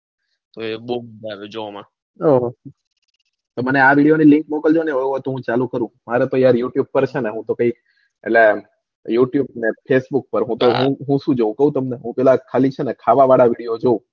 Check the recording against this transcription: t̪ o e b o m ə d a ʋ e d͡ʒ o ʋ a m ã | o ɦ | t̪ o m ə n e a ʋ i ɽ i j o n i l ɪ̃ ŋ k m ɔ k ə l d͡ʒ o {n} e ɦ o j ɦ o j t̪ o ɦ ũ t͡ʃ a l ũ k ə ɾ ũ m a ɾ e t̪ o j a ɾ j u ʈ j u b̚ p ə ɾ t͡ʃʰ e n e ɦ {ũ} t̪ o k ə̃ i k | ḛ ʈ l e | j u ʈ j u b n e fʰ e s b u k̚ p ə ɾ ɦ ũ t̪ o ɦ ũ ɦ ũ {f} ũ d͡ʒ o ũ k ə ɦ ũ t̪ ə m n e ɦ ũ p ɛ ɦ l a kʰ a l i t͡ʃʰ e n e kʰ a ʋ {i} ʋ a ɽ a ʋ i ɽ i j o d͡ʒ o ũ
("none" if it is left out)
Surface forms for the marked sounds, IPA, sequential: n, ũ, ʃ, a

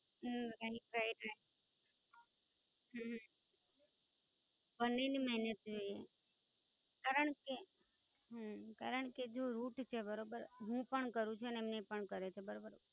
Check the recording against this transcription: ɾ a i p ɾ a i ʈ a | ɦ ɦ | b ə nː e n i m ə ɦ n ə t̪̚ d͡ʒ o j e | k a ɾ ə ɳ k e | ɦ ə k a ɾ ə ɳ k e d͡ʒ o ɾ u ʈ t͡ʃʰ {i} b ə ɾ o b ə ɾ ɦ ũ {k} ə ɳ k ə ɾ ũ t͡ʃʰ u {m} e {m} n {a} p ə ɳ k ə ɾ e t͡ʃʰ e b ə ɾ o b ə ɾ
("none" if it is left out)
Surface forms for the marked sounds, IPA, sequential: e, p, n, m, e

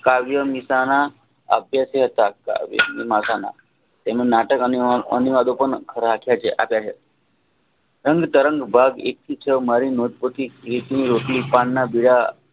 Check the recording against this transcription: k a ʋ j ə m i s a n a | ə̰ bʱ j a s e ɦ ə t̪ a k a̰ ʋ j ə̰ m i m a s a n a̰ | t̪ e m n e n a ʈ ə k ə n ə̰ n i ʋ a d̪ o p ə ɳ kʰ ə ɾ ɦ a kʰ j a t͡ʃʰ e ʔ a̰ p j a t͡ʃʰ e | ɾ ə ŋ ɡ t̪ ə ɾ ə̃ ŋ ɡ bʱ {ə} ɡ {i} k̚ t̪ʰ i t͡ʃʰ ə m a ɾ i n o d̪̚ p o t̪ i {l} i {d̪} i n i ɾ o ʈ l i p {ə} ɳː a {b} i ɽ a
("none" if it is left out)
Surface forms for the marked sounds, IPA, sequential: a, e, ɾ, t̪, a, b

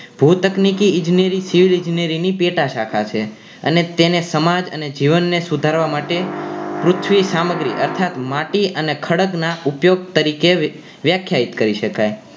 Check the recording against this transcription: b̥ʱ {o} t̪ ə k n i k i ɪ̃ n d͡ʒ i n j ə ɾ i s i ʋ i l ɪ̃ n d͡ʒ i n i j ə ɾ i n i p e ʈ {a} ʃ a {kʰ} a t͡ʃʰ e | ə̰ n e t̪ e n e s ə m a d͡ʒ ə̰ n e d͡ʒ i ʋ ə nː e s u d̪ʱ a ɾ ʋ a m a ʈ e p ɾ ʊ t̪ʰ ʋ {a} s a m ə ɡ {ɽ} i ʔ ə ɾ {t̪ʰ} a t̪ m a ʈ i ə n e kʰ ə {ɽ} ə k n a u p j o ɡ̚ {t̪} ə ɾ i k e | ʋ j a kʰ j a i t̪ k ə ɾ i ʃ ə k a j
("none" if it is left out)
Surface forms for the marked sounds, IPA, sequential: u, a, kʰ, i, ɾ, t̪ʰ, ɽ, t̪

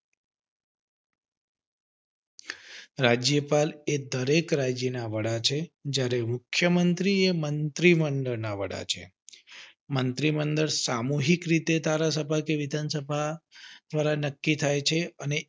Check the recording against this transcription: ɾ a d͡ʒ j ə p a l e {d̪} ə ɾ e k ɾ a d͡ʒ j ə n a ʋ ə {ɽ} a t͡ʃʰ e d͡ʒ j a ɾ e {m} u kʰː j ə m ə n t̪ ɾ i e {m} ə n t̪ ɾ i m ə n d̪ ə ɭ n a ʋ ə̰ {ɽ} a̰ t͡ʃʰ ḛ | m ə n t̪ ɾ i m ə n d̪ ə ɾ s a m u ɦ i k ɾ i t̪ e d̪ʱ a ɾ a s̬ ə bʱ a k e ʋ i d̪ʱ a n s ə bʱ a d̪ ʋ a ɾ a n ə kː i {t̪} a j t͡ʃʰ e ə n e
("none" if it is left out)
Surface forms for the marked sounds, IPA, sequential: d̪, ɽ, m, m, ɽ, t̪ʰ

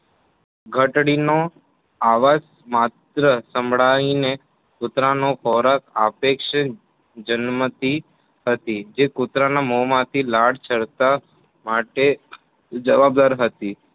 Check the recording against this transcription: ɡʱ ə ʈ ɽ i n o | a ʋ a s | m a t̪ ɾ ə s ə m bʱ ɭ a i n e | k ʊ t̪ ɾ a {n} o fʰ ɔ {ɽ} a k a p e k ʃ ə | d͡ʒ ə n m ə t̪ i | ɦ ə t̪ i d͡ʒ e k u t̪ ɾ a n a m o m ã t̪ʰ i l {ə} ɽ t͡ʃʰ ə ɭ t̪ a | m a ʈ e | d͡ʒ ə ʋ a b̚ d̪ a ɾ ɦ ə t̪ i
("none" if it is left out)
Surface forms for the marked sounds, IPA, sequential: n, ɾ, a

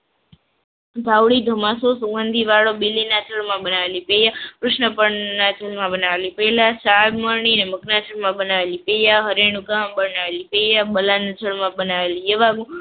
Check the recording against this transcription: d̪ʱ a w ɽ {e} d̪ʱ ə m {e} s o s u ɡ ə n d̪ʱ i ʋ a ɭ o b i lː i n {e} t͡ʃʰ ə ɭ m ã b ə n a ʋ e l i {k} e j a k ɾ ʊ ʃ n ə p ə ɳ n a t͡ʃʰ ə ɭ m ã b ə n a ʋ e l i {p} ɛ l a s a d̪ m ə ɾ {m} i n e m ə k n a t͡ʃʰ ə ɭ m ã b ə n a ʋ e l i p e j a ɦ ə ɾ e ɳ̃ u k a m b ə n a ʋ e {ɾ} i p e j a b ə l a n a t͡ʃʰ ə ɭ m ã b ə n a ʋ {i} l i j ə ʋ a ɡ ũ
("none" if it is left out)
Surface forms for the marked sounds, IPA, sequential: i, a, a, p, p, ɳ, l, e

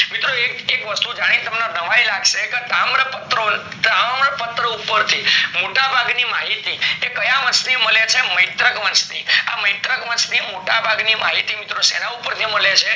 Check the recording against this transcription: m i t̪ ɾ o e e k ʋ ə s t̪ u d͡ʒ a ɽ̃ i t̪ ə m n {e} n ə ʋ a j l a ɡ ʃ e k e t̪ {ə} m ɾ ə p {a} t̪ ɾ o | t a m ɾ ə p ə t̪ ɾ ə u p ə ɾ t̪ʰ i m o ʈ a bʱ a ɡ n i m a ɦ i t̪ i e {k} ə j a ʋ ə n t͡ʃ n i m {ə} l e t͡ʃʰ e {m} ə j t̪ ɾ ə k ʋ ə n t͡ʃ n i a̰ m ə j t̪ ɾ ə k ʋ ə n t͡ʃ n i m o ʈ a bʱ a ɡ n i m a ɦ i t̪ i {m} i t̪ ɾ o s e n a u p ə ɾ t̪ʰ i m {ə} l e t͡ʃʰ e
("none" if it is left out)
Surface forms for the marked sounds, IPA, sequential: a, a, ə, k, ə, m, m, ə

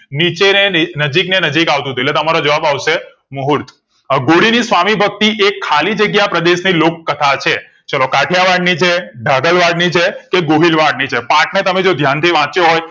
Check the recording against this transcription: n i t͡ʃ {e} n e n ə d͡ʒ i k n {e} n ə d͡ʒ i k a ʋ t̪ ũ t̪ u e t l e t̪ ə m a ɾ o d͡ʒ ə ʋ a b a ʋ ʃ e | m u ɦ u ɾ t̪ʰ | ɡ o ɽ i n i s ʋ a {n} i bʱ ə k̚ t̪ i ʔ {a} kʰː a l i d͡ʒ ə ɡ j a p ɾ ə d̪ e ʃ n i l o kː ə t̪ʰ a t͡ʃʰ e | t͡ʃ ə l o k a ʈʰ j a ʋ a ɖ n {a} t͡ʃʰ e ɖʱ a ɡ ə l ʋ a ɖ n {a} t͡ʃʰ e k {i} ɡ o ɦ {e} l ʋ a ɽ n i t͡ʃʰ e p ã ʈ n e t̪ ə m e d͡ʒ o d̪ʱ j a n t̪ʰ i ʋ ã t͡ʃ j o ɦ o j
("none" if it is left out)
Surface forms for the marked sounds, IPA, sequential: e, e, m, e, i, i, e, i

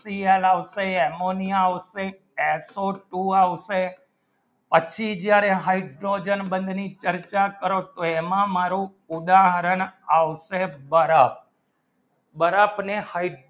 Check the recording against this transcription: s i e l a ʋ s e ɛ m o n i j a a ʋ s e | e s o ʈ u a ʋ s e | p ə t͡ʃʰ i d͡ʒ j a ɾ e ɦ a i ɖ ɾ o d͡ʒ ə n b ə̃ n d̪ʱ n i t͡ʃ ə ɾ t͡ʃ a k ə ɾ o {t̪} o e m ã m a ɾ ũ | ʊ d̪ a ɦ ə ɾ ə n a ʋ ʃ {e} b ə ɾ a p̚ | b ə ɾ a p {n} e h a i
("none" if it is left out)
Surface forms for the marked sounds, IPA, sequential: t̪, e, n

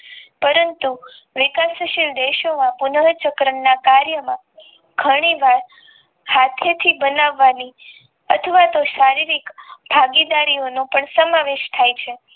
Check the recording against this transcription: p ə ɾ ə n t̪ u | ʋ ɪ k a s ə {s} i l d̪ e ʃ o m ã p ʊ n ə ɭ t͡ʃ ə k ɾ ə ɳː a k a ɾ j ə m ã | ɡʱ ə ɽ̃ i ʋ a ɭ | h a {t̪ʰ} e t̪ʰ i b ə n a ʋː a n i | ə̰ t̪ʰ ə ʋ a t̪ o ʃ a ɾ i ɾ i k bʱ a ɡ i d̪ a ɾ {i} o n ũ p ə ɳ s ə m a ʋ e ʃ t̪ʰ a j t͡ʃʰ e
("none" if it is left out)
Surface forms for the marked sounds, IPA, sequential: ʃ, t̪ʰ, i

